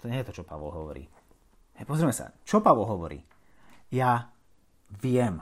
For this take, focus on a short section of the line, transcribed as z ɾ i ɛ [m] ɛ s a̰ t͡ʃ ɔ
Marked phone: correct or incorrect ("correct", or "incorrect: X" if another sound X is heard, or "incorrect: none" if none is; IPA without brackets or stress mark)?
correct